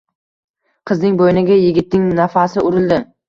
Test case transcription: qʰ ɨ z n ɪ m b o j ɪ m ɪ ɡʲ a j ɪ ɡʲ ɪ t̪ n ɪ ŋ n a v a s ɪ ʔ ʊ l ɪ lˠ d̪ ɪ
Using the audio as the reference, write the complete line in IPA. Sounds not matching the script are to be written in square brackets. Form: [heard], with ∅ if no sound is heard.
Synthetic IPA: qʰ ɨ z n ɪ [ŋ] b o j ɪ [n] ɪ ɡʲ a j ɪ ɡʲ ɪ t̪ n ɪ ŋ n a [f] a s ɪ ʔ ʊ [ɾ] ɪ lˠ d̪ ɪ